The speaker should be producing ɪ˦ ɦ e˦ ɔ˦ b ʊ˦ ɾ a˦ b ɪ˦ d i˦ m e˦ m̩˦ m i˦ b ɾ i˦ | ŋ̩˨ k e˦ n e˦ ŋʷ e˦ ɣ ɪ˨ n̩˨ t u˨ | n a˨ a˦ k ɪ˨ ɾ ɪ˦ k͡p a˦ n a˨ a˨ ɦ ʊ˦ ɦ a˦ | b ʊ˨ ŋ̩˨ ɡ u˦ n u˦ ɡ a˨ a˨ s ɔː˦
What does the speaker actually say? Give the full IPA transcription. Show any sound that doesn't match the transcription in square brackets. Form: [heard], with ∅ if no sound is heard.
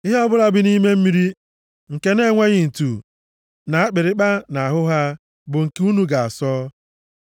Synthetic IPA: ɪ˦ ɦ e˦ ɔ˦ b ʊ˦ ɾ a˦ b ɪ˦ [n] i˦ m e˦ m̩˦ m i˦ [∅] ɾ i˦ | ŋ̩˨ k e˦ n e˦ ŋʷ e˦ ɣ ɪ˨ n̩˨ t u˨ | n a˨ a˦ [k͡p] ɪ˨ ɾ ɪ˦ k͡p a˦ n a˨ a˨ ɦ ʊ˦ ɦ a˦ | b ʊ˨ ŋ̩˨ [k] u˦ n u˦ ɡ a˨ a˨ s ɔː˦